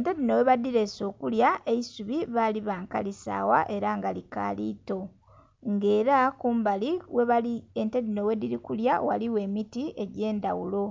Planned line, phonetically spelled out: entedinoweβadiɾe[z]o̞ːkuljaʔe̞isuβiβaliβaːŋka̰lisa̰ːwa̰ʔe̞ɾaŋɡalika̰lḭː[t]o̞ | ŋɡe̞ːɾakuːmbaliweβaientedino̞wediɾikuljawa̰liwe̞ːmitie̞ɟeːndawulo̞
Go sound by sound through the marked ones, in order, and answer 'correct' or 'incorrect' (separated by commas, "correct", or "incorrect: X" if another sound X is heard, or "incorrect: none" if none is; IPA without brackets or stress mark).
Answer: incorrect: s, correct